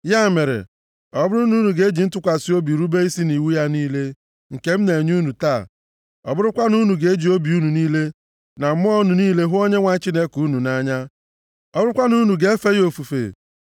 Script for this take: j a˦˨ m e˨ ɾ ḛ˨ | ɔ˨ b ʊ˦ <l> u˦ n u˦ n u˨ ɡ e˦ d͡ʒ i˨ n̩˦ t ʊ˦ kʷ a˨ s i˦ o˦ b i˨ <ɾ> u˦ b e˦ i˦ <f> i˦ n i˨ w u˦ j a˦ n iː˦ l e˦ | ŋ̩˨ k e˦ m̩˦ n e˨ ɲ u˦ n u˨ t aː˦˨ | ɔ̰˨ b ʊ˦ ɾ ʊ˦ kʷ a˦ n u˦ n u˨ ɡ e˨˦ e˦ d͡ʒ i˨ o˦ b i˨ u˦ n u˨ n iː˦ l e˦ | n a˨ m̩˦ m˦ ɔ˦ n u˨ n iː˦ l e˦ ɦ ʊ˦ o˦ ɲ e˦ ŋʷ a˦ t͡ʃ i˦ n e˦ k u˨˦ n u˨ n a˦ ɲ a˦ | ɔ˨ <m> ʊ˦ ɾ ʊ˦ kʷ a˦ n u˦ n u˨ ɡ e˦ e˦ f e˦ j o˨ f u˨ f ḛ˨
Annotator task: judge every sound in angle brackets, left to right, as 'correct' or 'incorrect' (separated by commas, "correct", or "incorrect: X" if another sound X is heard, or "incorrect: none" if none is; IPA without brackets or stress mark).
incorrect: ɾ, correct, incorrect: s, incorrect: b